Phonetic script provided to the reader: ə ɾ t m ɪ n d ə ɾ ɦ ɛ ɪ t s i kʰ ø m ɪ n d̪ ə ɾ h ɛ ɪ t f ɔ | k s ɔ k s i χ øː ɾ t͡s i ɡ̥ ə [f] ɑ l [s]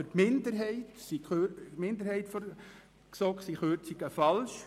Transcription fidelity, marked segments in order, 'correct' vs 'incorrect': correct, incorrect: ʃ

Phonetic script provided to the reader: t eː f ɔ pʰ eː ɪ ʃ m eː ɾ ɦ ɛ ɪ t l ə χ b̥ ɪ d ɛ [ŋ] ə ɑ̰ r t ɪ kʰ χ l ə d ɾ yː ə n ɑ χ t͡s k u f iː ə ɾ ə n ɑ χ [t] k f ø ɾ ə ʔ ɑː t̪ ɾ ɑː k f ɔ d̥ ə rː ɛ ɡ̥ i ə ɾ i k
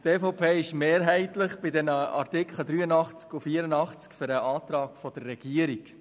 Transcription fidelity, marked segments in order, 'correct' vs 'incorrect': incorrect: n, incorrect: t͡s

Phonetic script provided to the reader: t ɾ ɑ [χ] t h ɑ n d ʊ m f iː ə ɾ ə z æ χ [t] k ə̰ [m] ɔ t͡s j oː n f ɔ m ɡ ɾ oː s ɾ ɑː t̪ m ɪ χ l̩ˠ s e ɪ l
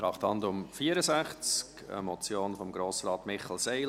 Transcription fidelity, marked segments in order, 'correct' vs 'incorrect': correct, incorrect: t͡s, correct

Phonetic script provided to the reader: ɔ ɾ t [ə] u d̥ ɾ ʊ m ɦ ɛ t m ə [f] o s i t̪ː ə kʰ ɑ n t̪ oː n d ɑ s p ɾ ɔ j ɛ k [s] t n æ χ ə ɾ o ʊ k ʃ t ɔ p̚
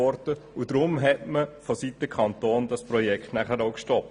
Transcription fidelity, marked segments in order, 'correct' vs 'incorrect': correct, correct, incorrect: χ

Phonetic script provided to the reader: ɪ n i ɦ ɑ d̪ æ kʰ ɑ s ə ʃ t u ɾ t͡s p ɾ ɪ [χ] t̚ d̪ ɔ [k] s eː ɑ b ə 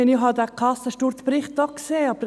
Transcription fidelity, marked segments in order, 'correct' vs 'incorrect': correct, correct

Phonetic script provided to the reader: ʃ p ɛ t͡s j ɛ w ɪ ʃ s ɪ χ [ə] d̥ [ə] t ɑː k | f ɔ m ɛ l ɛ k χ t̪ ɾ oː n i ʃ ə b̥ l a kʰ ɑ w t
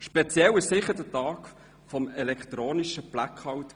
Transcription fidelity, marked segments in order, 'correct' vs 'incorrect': correct, correct

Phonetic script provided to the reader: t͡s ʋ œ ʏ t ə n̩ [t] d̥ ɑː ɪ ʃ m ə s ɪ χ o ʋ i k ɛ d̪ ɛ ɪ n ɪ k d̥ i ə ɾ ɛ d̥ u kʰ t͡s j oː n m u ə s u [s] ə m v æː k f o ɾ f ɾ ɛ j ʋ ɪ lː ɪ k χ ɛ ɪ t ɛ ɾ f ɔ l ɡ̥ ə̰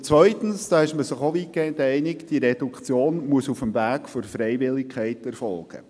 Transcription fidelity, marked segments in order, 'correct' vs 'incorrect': incorrect: s, incorrect: f

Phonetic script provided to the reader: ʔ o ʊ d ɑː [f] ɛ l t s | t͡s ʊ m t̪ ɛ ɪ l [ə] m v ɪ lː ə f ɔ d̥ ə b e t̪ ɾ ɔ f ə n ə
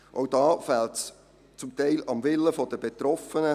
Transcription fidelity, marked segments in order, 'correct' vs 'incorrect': correct, incorrect: ɑ

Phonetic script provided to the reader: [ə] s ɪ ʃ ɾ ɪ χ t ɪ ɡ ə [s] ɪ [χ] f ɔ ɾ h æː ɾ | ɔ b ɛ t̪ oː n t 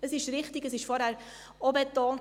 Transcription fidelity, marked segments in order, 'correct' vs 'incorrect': correct, correct, incorrect: ʃ

